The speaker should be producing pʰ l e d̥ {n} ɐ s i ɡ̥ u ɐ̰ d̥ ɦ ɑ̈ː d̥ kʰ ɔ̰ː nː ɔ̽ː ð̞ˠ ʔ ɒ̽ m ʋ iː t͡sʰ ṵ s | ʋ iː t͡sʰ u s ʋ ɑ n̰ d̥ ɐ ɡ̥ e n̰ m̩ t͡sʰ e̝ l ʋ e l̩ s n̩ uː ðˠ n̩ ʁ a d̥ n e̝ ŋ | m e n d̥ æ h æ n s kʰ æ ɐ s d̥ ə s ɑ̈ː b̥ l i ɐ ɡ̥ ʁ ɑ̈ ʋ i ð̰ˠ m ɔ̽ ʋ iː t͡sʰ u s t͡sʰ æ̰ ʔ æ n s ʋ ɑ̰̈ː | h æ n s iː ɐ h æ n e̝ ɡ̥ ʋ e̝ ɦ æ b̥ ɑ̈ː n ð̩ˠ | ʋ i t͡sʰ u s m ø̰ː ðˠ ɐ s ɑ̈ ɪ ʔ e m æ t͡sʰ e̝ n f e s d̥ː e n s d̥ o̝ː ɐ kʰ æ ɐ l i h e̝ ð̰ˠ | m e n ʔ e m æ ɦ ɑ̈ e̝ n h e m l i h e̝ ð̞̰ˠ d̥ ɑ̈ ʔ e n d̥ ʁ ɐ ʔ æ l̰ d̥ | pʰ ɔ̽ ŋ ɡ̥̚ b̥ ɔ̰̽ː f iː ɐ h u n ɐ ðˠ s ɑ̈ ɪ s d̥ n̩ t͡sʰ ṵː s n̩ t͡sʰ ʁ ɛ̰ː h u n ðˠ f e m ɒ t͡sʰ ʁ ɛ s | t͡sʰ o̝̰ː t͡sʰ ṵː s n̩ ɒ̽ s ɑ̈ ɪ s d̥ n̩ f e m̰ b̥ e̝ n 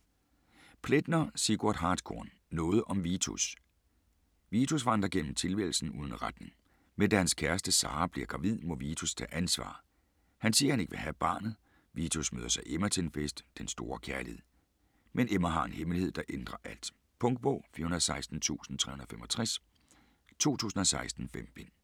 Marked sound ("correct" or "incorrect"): correct